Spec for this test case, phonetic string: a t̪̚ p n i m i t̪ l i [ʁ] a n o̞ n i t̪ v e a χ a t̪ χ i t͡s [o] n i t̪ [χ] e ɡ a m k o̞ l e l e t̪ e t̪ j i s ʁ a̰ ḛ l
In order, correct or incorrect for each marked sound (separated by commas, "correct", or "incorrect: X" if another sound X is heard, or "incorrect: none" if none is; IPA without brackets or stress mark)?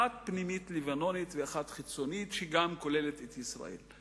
incorrect: v, correct, incorrect: ʃ